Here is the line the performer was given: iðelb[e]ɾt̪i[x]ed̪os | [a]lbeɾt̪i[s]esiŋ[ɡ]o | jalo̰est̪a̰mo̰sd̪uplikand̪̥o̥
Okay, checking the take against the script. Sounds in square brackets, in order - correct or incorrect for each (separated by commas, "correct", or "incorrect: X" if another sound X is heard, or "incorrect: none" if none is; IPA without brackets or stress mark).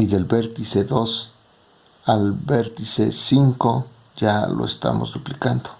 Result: correct, incorrect: s, correct, correct, incorrect: k